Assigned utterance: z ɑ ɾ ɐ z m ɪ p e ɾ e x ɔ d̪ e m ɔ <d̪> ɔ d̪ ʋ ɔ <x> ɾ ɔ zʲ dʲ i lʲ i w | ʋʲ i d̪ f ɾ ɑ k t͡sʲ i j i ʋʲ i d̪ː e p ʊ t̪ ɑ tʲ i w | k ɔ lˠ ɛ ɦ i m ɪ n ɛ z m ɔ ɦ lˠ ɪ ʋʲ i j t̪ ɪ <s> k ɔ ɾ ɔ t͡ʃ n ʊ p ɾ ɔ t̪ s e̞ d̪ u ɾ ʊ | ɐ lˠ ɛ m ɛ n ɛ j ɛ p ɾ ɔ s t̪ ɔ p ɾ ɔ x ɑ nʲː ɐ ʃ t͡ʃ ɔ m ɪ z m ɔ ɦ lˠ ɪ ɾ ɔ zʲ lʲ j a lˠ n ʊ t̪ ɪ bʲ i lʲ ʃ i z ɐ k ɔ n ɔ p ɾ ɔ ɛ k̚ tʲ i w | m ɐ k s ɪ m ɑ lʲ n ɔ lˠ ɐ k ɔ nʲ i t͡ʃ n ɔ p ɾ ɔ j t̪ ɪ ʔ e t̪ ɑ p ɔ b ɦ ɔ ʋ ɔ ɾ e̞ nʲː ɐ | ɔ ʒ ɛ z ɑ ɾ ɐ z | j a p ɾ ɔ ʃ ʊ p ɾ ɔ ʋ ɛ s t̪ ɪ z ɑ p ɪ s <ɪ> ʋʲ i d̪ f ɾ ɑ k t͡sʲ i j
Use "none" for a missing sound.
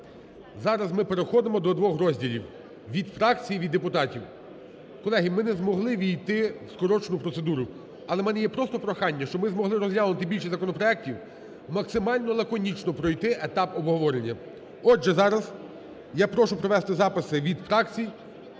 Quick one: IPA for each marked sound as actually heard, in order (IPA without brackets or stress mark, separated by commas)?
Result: d̪, x, s, ɪ